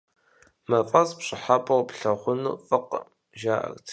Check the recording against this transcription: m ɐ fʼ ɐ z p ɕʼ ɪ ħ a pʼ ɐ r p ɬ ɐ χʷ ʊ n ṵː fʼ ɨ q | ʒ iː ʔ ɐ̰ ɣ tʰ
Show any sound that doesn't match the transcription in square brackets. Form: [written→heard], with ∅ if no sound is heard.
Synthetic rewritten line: m ɐ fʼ ɐ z p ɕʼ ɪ ħ a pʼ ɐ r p ɬ ɐ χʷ ʊ n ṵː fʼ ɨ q | ʒ [iː→aː] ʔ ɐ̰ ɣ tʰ